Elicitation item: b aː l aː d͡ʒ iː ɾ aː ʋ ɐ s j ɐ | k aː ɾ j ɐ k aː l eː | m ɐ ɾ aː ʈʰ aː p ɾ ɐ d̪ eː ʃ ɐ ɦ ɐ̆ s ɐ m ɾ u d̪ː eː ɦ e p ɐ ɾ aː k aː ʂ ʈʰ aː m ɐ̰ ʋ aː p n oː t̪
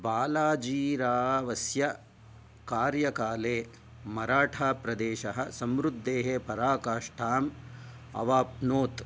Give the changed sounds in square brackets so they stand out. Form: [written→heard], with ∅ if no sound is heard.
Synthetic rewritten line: b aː l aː d͡ʒ iː ɾ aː ʋ ɐ s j ɐ | k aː ɾ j ɐ k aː l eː | m ɐ ɾ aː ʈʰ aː p ɾ ɐ d̪ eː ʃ ɐ ɦ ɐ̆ s ɐ m ɾ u d̪ː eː ɦ e p ɐ ɾ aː k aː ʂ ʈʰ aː m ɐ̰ ʋ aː p n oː t̪